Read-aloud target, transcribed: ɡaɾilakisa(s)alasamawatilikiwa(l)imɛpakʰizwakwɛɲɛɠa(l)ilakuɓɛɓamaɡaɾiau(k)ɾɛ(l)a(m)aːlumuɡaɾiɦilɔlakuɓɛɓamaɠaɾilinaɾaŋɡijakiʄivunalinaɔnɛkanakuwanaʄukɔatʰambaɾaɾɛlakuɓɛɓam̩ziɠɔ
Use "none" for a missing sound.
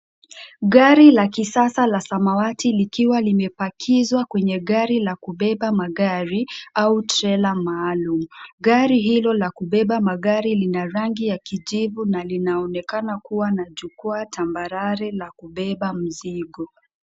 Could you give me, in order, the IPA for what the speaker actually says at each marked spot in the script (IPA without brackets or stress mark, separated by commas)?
s, l, ɾ, t, l, m